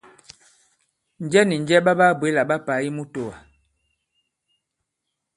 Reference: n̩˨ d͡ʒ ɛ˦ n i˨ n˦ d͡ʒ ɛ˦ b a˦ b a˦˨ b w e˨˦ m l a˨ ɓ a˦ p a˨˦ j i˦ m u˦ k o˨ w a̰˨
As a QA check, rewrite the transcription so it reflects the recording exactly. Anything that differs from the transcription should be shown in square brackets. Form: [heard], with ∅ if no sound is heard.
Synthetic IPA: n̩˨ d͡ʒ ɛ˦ n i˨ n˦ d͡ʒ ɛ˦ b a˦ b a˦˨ b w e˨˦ [∅] l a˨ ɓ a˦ p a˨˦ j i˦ m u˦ [t] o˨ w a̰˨